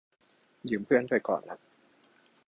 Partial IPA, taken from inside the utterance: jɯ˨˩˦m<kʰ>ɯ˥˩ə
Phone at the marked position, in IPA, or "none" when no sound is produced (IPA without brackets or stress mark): pʰ